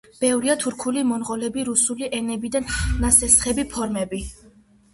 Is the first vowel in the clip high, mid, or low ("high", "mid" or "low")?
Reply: mid